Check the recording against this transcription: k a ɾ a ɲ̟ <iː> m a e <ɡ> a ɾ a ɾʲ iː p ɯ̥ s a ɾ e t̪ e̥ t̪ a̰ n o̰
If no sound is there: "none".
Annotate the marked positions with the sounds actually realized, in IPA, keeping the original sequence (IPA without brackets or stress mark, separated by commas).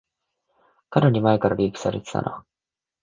i, k